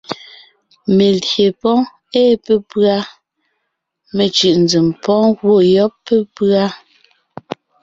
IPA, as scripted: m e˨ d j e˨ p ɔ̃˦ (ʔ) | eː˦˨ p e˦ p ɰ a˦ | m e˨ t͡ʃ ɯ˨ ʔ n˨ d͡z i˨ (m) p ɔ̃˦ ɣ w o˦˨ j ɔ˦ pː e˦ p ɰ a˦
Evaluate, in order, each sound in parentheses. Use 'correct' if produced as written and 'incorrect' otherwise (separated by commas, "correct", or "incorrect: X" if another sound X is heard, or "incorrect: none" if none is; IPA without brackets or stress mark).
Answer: incorrect: none, correct